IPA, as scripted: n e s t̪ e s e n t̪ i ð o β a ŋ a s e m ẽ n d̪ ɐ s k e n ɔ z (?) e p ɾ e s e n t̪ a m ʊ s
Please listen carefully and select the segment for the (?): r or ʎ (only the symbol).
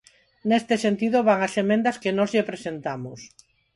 ʎ